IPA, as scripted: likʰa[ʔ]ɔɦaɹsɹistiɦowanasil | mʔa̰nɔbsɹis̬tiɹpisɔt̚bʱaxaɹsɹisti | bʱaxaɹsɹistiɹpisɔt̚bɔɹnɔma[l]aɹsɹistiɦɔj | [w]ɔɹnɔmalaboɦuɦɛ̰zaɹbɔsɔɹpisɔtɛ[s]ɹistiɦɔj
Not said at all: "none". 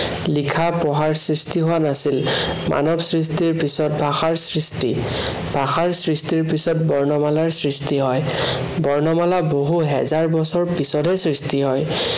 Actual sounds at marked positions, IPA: p, l, b, s

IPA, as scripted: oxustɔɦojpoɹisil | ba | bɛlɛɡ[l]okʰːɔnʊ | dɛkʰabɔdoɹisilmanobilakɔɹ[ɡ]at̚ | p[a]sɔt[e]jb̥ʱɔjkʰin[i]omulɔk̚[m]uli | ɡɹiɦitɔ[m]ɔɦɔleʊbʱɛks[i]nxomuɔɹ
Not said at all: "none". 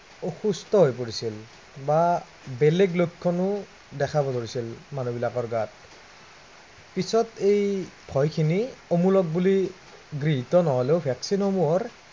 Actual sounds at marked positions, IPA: l, ɡ, i, e, i, b, n, i

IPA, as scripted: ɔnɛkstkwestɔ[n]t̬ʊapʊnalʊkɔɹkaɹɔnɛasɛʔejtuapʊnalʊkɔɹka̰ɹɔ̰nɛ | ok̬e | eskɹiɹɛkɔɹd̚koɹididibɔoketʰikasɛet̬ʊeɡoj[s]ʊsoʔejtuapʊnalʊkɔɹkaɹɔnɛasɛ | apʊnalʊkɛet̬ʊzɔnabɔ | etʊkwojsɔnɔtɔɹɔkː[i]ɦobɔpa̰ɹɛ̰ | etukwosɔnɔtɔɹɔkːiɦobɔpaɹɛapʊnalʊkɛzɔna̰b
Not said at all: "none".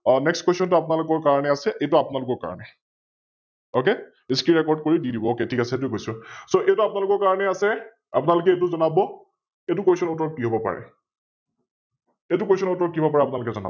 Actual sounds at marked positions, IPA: n, s, i

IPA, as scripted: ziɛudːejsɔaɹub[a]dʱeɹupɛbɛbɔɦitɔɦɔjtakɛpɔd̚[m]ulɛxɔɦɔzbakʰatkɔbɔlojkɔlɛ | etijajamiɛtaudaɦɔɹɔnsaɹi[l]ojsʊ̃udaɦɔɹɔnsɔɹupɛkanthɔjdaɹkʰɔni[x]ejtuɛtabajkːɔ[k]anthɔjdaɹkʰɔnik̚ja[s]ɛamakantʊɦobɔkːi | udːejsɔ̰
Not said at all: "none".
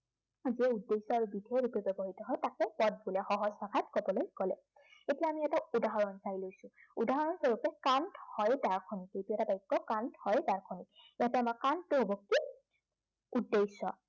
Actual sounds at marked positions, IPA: i, b, l, k, k, t

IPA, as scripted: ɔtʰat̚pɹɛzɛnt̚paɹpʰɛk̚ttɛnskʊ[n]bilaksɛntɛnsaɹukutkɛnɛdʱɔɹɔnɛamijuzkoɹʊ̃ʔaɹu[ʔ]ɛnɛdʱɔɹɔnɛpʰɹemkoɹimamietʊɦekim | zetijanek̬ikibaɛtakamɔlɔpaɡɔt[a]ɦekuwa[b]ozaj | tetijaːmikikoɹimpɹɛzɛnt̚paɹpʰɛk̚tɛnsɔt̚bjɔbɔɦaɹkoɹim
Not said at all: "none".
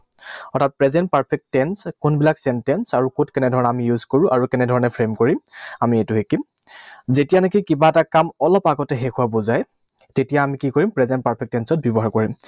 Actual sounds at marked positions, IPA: n, k, ɛ, b

